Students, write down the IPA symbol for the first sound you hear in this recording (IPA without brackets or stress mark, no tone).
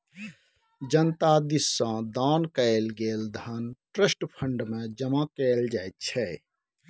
d͡ʒ